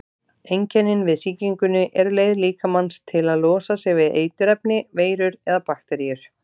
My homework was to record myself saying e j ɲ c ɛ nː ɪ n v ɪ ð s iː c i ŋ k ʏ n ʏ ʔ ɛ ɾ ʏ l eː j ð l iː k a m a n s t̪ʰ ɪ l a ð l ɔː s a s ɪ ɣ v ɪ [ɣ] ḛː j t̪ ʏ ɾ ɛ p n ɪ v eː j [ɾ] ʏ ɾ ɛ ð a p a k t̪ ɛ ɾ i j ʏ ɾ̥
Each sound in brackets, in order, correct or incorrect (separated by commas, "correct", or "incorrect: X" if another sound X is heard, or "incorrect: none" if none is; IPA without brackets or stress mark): incorrect: ð, correct